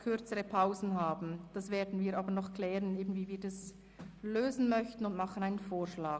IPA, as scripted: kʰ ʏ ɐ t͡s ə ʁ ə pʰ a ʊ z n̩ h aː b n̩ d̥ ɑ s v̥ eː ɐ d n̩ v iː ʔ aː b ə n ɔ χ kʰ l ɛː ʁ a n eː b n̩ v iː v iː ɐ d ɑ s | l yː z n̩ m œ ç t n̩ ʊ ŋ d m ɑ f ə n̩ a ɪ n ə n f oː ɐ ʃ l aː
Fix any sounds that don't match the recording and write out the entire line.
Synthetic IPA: kʰ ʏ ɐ t͡s ə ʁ ə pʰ a ʊ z n̩ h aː b n̩ d̥ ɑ s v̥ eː ɐ d n̩ v iː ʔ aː b ə n ɔ χ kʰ l ɛː ʁ ə n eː b n̩ v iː v iː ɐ d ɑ s | l øː z n̩ m œ ç t n̩ ʊ n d m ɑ χ ə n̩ a ɪ n ə n f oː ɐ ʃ l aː